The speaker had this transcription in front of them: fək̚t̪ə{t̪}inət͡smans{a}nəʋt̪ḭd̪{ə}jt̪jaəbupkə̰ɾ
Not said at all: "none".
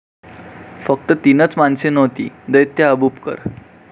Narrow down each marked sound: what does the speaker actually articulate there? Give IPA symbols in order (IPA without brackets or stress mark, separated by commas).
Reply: t̪, e, ə